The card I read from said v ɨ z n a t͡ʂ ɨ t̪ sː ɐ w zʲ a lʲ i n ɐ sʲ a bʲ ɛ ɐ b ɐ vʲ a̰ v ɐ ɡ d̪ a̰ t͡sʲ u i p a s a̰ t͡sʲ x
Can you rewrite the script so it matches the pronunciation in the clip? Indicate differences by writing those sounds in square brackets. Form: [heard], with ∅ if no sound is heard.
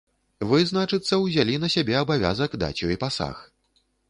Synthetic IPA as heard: v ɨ z n a t͡ʂ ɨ t̪ sː ɐ w zʲ a lʲ i n ɐ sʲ a bʲ ɛ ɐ b [a] vʲ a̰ [z] ɐ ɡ d̪ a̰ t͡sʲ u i p a s a̰ [∅] x